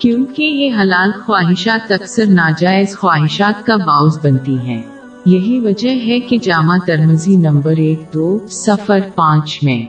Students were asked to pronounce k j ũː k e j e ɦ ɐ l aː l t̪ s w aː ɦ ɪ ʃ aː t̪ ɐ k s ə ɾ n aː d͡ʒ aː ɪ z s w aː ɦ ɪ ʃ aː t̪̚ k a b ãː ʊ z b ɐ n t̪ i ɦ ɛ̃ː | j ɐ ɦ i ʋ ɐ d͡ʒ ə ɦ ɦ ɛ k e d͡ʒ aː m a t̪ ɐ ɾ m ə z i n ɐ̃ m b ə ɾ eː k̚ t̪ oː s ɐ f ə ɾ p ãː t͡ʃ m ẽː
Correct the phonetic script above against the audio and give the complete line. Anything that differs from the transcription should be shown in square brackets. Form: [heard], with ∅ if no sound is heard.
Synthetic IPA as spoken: k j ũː k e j e ɦ ɐ l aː l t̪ [x] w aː ɦ ɪ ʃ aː t̪ ɐ k s ə ɾ n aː d͡ʒ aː ɪ z [x] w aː ɦ ɪ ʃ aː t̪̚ k a b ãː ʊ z b ɐ n t̪ i ɦ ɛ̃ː | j ɐ ɦ i ʋ ɐ d͡ʒ ə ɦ ɦ ɛ k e d͡ʒ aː m a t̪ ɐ ɾ m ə z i n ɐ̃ m b ə ɾ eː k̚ [d̪] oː s ɐ f ə ɾ p ãː t͡ʃ m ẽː